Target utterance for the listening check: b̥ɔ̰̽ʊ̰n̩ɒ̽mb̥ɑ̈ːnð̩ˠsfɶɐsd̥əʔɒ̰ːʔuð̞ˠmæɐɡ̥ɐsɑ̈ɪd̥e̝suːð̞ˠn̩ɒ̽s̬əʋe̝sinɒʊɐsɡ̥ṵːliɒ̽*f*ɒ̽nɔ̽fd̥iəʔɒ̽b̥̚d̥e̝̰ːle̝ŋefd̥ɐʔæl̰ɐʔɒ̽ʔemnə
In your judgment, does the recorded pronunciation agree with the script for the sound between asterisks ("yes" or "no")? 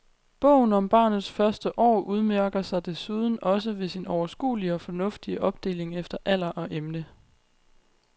yes